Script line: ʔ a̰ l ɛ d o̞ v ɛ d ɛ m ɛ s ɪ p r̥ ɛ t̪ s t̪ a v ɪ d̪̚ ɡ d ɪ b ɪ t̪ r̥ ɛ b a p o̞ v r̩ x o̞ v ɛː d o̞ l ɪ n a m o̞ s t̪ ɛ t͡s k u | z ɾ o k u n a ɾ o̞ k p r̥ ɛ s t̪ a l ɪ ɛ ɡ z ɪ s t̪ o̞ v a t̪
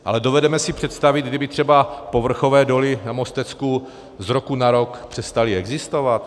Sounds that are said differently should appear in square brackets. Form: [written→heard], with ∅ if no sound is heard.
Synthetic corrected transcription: ʔ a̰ l ɛ d o̞ v ɛ d ɛ m ɛ s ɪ p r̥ ɛ t̪ s t̪ a v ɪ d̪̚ ɡ d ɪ b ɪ t̪ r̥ ɛ b a p o̞ v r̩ x o̞ v ɛː d o̞ l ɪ n a m o̞ s t̪ ɛ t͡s k u | z ɾ o k u n a ɾ o̞ k p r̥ ɛ s t̪ a l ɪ ɛ ɡ z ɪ s t̪ o̞ v a t̪